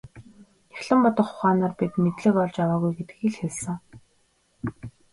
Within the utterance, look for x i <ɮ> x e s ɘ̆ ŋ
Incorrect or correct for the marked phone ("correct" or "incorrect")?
correct